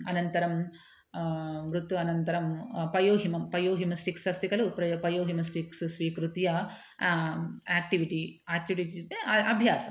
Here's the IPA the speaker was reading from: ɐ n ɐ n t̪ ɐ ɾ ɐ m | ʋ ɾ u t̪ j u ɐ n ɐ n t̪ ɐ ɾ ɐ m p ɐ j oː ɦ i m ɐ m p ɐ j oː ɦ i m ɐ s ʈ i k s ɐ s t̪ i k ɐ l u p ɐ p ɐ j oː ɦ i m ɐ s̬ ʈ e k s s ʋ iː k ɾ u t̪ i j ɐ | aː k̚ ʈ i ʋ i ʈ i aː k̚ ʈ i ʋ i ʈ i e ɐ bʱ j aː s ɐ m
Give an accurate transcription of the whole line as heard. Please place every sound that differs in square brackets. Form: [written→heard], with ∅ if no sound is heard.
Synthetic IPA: ɐ n ɐ n t̪ ɐ ɾ ɐ m | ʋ ɾ u t̪ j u ɐ n ɐ n t̪ ɐ ɾ ɐ m p ɐ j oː ɦ i m ɐ m p ɐ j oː ɦ i m ɐ s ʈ i k s ɐ s t̪ i k ɐ l u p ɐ p ɐ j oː ɦ i m ɐ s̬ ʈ [e→i] k s s ʋ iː k ɾ u t̪ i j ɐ | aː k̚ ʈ i ʋ i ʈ i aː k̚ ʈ i ʋ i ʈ i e ɐ bʱ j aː s ɐ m